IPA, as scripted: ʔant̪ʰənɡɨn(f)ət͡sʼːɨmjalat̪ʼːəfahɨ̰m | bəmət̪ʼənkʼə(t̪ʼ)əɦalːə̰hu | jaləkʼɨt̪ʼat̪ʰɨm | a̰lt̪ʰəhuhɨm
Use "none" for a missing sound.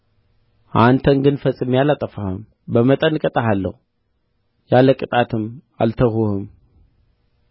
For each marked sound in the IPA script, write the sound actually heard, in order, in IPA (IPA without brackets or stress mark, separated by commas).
f, t̪ʼ